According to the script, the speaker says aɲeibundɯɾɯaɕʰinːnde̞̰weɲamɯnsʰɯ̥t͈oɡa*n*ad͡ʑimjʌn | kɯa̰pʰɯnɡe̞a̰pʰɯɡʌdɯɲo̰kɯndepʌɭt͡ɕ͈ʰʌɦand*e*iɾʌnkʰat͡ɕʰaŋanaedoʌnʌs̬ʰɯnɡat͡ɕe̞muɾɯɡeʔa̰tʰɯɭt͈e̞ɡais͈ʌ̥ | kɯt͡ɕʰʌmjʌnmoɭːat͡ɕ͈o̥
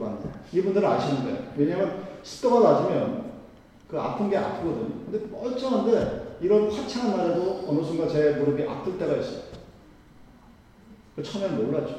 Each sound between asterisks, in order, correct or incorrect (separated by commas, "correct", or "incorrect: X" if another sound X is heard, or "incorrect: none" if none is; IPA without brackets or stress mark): correct, correct